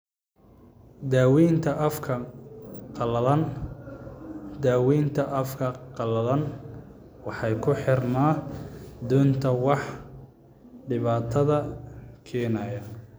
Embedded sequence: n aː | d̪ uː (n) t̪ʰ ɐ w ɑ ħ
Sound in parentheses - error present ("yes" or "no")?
no